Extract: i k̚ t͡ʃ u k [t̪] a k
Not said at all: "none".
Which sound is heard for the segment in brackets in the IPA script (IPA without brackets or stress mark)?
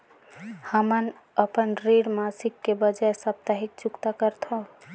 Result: t̪